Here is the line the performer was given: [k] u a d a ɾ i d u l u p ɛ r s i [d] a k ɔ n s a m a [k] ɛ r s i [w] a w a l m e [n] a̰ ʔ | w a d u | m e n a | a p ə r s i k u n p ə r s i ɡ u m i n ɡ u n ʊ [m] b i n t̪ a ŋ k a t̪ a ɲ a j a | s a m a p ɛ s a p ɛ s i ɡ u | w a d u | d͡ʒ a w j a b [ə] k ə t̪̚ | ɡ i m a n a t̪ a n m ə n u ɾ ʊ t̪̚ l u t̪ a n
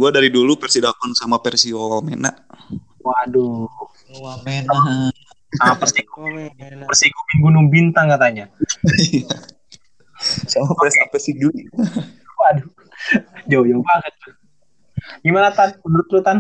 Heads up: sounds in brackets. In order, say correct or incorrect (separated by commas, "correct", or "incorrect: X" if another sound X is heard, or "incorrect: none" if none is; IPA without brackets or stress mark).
incorrect: ɡ, correct, incorrect: p, correct, correct, incorrect: ŋ, incorrect: a